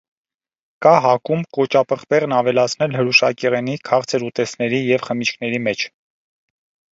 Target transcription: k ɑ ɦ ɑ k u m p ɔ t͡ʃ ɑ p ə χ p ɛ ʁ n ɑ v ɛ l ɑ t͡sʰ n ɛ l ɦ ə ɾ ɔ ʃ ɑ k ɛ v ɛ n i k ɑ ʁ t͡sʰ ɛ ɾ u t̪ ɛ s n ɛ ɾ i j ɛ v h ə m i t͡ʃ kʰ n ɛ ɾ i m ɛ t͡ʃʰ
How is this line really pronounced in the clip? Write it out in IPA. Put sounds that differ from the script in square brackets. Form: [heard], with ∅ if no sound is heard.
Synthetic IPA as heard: k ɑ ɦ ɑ k u m [k] ɔ t͡ʃ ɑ p ə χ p ɛ ʁ n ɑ v ɛ l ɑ t͡sʰ n ɛ l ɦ ə ɾ [u] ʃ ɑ k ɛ [ʁ] ɛ n i [kʰ] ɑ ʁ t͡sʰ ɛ ɾ u t̪ ɛ s n ɛ ɾ i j ɛ v [χ] ə m i t͡ʃ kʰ n ɛ ɾ i m ɛ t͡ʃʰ